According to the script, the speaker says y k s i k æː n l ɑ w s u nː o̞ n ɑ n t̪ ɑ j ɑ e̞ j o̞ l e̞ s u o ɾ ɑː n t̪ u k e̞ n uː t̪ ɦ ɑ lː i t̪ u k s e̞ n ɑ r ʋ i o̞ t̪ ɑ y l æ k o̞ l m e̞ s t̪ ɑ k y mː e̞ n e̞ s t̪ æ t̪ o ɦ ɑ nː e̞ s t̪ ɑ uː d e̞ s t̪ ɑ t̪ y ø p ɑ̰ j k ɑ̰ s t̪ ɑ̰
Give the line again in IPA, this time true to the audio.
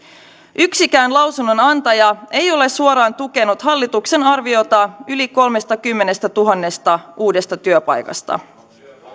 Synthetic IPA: y k s i k æː n l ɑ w s u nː o̞ n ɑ n t̪ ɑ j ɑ e̞ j o̞ l e̞ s u o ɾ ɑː n t̪ u k e̞ n u t̪ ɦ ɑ lː i t̪ u k s e̞ n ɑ r ʋ i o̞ t̪ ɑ y l i k o̞ l m e̞ s t̪ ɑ k y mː e̞ n e̞ s t̪ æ t̪ u ɦ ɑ nː e̞ s t̪ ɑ uː d e̞ s t̪ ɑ t̪ y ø p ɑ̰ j k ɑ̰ s t̪ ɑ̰